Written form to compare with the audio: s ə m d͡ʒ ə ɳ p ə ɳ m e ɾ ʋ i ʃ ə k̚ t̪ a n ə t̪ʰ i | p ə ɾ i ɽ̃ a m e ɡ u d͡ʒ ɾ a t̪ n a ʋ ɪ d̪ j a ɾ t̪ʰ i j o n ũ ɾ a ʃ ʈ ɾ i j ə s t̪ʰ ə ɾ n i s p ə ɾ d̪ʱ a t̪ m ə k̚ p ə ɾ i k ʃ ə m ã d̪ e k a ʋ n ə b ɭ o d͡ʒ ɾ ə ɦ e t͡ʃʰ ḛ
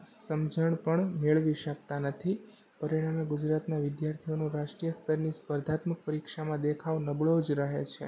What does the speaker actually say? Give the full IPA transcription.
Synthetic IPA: s ə m d͡ʒ ə ɳ p ə ɳ m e ɭ ʋ i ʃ ə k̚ t̪ a n ə t̪ʰ i | p ə ɾ i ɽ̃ a m e ɡ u d͡ʒ ɾ a t̪ n a ʋ ɪ d̪ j a ɾ t̪ʰ i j o n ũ ɾ a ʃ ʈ ɾ i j ə s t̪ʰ ə ɾ n i s p ə ɾ d̪ʱ a t̪ m ə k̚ p ə ɾ i k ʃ a m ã d̪ e kʰ a ʋ n ə b ɭ o d͡ʒ ɾ ə ɦ e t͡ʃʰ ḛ